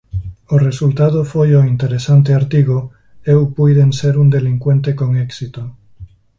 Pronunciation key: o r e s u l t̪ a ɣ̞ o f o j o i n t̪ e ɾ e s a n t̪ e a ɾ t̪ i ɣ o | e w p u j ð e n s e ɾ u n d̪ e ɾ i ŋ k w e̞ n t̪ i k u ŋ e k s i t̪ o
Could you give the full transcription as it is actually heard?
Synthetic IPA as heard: o r e s u l t̪ a ð̞ o f o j o i n t̪ e ɾ e s a n t̪ e a ɾ t̪ i ɣ o | e w p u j ð e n s e ɾ u n d̪ e l i ŋ k w e̞ n t̪ e k o ŋ e k s i t̪ o

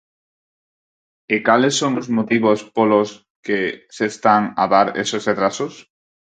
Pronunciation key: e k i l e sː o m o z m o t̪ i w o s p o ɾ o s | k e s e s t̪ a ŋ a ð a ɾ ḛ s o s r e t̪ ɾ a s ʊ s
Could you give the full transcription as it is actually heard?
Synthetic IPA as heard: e k a l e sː o ŋ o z m o t̪ i β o s p o l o s | k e s e s t̪ a ŋ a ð a ɾ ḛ s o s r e t̪ ɾ a s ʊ s

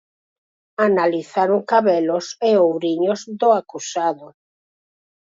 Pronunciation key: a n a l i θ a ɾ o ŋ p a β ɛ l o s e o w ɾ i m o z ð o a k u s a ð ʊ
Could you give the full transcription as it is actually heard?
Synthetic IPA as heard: a n a l i θ a ɾ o ŋ k a β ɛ l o s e o w ɾ i ɲ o z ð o a k u s a ð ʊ

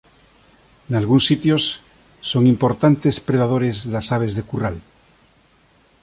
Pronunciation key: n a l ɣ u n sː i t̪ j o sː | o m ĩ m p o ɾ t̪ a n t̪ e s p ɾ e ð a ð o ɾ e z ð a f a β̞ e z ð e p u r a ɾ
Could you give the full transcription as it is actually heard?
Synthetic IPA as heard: n a l ɣ u n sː i t̪ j o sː | o ŋ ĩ m p o ɾ t̪ a n t̪ e s p ɾ e ð a ð o ɾ e z ð a s a β̞ e z ð e k u r a l

